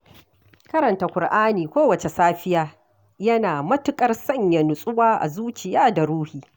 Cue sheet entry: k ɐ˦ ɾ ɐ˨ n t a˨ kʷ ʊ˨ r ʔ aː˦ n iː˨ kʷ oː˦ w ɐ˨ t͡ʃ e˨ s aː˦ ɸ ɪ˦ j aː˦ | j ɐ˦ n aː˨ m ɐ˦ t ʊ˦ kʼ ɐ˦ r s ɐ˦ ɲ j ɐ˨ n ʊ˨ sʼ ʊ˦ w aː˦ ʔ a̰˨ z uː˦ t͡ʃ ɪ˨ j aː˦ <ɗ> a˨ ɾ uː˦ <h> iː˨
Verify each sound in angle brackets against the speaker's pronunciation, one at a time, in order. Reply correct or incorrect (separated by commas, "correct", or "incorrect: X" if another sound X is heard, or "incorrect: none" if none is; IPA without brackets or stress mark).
incorrect: d, correct